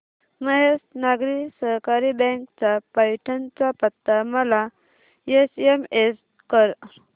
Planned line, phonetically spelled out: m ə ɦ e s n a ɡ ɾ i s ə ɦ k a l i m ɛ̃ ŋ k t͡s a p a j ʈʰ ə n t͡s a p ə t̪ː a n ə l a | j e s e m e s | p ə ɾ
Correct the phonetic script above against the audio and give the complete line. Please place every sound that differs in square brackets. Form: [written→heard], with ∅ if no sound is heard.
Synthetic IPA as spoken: m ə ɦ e s n a ɡ ɾ i s ə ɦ k a [l→ɾ] i [m→b] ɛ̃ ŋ k t͡s a p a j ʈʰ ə n t͡s a p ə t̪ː a [n→m] ə l a | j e s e m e s | [p→k] ə ɾ